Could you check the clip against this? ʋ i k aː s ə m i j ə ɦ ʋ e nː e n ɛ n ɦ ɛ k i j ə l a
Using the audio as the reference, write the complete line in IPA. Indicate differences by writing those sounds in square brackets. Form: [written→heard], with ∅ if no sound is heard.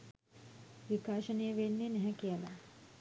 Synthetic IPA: ʋ i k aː [s→ʃ] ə [m→n] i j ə [ɦ→∅] ʋ e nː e n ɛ [n→∅] ɦ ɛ k i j ə l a